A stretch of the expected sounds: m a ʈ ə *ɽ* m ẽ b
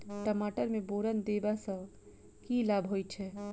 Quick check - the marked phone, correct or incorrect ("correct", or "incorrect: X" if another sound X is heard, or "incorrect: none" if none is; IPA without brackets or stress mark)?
incorrect: ɾ